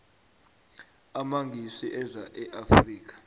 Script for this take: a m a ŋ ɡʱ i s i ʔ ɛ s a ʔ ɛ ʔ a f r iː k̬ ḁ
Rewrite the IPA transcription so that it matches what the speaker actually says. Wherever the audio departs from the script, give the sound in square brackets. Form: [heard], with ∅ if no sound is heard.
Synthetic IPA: a m a ŋ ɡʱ i s i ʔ ɛ [z] a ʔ ɛ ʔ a f r iː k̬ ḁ